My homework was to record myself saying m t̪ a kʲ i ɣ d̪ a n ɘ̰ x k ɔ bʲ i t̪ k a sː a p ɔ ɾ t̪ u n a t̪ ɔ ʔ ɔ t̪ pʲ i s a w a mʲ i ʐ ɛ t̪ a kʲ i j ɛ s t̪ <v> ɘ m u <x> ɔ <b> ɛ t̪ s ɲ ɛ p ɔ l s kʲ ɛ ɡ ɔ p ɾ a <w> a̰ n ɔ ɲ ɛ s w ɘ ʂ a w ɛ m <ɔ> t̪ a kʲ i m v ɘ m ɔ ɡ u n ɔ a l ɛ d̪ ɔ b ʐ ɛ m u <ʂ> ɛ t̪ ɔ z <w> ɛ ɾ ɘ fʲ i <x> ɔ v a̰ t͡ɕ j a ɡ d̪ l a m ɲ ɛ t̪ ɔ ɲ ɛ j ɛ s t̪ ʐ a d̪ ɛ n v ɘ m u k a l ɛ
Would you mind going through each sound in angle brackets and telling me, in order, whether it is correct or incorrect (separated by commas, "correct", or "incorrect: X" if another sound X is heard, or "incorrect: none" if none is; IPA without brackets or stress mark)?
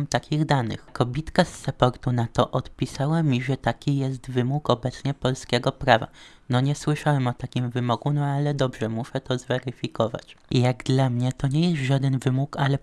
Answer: correct, incorrect: k, correct, incorrect: v, correct, correct, incorrect: v, incorrect: k